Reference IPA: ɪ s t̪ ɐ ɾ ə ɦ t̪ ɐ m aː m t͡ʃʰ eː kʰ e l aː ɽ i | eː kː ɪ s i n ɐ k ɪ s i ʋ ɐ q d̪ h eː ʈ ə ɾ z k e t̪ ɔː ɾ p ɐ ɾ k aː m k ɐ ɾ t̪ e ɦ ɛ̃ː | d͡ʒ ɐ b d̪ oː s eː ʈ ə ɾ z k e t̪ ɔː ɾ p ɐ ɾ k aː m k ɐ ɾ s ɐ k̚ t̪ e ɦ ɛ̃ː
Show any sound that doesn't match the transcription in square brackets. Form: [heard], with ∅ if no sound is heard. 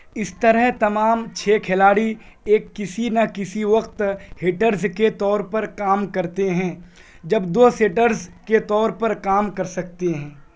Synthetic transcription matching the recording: ɪ s t̪ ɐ ɾ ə ɦ t̪ ɐ m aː m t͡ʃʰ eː kʰ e l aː ɽ i | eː kː ɪ s i n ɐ k ɪ s i ʋ ɐ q [t̪] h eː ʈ ə ɾ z k e t̪ ɔː ɾ p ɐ ɾ k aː m k ɐ ɾ t̪ e ɦ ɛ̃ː | d͡ʒ ɐ b d̪ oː s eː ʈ ə ɾ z k e t̪ ɔː ɾ p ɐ ɾ k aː m k ɐ ɾ s ɐ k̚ t̪ e ɦ ɛ̃ː